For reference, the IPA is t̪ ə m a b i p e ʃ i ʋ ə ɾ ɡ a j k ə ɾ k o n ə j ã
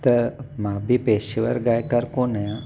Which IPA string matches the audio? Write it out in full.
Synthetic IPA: t̪ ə m a b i p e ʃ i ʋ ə ɾ ɡ a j k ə ɾ k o n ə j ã

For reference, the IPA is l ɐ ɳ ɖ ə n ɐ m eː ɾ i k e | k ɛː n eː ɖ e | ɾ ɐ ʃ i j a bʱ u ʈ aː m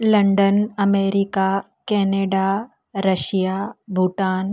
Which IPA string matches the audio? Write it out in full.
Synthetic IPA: l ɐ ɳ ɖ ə n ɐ m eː ɾ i k a | k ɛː n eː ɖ a | ɾ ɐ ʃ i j a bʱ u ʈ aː n

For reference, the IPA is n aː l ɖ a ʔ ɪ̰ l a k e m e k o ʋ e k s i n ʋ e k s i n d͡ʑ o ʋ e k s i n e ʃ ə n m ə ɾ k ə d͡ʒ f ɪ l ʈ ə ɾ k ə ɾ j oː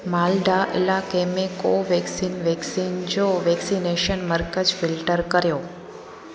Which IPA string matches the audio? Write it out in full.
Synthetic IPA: m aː l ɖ a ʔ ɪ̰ l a k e m e k o ʋ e k s i n ʋ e k s i n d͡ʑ o ʋ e k s i n e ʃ ə n m ə ɾ k ə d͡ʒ f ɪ l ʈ ə ɾ k ə ɾ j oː

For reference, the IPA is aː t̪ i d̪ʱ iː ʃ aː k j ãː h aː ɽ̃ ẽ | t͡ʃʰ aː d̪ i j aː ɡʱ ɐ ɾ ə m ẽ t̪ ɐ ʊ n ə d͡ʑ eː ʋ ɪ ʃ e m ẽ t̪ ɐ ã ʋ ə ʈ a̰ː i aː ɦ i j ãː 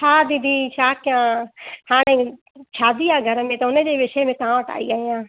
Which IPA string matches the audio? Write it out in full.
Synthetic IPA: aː d̪ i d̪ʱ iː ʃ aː k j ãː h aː ɽ̃ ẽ | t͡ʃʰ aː d̪ i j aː ɡʱ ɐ ɾ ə m ẽ t̪ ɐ ʊ n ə d͡ʑ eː ʋ ɪ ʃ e m ẽ t̪ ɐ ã ʋ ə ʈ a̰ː i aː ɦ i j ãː

